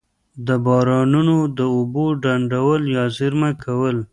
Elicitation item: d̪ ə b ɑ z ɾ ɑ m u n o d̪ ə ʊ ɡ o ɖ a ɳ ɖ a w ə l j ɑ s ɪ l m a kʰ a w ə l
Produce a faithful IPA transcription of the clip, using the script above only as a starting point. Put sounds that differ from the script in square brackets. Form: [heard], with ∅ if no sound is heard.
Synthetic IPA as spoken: d̪ ə b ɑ [∅] ɾ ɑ [n] u n o d̪ ə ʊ [b] o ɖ a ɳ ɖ a w ə l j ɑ [z] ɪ [ɾ] m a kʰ a w ə l